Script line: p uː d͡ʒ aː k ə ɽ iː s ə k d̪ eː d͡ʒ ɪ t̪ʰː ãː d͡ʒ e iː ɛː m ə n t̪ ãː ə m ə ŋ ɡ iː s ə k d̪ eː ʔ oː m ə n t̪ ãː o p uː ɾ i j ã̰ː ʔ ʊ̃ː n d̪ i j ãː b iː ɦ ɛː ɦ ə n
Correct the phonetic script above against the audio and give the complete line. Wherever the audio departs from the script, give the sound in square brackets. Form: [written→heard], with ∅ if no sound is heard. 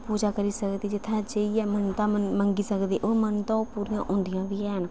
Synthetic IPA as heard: p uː d͡ʒ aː k ə [ɽ→ɾ] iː s ə k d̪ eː d͡ʒ ɪ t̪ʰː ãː d͡ʒ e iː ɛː m ə n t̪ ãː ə m ə ŋ ɡ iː s ə k d̪ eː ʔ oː m ə n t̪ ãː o p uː ɾ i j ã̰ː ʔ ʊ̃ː n d̪ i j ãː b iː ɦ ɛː ɦ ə n